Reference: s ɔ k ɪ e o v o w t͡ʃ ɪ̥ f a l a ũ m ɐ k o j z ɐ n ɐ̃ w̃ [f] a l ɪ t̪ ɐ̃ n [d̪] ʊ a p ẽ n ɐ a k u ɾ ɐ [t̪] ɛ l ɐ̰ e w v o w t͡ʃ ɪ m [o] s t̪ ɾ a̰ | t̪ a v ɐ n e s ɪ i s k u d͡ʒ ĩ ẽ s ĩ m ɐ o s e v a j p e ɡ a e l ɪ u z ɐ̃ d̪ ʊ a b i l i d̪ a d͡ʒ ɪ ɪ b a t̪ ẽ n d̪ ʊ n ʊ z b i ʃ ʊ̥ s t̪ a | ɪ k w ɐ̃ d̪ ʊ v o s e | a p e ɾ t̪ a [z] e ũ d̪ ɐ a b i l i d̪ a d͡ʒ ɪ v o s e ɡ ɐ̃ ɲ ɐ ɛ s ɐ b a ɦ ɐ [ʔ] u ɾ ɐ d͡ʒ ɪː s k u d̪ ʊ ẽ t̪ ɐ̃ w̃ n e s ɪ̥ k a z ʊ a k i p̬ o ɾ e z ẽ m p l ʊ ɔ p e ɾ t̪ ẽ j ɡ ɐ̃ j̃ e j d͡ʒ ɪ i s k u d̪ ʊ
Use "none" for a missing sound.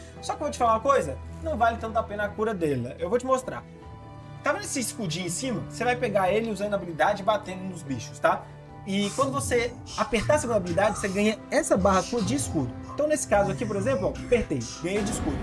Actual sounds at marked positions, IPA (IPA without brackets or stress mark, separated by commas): v, t̪, d̪, o, s, k